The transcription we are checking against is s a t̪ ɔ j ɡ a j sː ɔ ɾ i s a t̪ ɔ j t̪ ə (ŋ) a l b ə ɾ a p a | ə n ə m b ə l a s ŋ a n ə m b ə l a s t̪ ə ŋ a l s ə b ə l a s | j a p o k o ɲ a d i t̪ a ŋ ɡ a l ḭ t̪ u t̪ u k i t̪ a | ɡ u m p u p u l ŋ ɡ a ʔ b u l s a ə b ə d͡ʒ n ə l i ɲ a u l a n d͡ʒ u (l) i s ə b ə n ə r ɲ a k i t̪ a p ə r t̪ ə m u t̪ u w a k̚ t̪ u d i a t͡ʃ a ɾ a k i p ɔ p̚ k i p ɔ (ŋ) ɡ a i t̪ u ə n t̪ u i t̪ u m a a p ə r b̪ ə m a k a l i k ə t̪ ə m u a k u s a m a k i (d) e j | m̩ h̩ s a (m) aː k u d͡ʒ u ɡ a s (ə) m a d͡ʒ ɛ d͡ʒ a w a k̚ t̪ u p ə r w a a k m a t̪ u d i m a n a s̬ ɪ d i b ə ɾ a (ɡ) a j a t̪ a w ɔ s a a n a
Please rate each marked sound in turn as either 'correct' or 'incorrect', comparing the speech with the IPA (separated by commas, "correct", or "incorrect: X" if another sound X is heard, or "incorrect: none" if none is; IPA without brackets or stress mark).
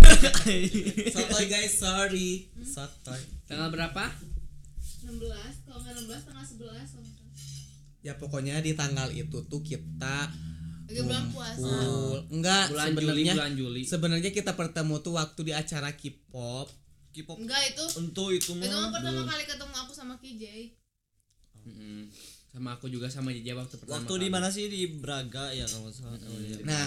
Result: correct, correct, correct, incorrect: d͡ʒ, correct, incorrect: a, correct